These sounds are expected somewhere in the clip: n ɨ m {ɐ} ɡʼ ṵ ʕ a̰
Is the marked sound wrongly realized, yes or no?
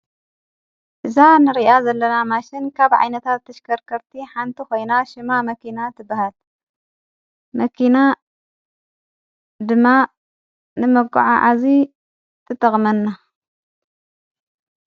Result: no